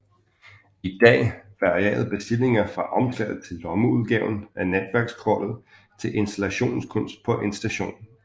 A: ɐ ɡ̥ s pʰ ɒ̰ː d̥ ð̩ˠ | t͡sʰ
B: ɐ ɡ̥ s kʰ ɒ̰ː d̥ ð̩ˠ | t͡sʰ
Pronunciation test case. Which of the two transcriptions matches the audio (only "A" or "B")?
B